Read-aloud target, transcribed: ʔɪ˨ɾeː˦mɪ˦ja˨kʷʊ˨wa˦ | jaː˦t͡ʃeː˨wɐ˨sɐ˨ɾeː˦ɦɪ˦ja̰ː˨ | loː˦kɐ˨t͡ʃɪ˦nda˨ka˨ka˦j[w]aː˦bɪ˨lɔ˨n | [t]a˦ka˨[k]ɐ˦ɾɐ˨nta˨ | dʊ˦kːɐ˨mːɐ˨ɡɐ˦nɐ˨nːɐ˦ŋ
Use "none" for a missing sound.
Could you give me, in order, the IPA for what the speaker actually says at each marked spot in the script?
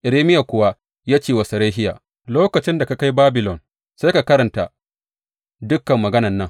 b, s, k

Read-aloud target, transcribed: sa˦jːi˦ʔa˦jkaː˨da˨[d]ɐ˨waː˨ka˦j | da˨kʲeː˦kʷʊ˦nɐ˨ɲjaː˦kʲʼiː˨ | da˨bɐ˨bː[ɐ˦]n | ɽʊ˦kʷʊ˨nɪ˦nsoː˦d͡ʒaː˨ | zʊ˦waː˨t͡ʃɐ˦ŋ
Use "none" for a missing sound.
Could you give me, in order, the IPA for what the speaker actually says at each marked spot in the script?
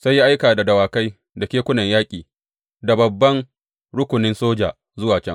d, ɐ˦

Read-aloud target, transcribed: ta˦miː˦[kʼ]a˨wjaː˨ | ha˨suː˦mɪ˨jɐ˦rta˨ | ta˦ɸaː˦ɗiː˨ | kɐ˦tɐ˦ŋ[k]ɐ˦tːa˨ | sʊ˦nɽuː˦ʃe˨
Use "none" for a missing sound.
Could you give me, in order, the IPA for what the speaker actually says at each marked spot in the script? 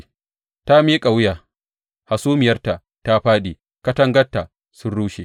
kʼ, ɡ

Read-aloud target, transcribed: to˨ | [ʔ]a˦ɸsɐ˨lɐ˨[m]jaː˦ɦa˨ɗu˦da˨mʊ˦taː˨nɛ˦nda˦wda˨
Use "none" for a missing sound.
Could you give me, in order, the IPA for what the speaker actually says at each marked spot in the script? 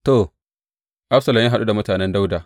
ʔ, m

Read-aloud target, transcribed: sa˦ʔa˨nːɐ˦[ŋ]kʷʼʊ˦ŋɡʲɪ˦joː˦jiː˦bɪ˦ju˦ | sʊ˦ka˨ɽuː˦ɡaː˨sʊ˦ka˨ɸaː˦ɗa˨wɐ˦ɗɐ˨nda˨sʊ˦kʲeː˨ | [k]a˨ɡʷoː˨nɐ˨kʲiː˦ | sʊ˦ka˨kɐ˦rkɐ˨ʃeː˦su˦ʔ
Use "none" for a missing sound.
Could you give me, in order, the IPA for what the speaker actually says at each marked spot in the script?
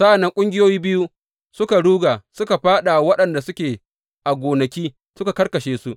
ŋ, ʔ

